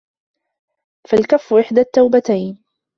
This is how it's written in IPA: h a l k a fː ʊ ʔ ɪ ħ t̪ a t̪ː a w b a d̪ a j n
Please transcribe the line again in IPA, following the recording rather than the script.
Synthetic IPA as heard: f a l k a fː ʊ ʔ ɪ ħ d̪ a t̪ː a w b a t̪ a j n